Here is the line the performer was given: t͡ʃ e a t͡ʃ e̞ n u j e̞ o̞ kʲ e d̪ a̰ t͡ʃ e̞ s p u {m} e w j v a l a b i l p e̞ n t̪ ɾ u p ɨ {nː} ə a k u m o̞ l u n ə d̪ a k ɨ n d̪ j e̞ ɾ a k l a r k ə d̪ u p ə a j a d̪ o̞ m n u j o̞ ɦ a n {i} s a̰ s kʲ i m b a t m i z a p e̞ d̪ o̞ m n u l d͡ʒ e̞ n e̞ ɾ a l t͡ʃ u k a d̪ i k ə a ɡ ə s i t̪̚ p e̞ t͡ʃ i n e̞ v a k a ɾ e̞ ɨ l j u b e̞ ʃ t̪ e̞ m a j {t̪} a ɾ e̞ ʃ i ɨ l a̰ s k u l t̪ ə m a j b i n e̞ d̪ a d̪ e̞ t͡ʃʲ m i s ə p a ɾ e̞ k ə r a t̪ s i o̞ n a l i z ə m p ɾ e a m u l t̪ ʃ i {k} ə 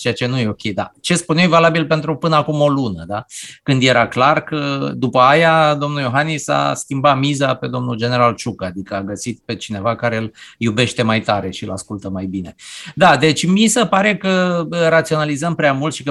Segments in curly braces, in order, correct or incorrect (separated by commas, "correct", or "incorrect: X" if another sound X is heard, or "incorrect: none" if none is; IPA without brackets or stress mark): incorrect: n, incorrect: n, correct, correct, correct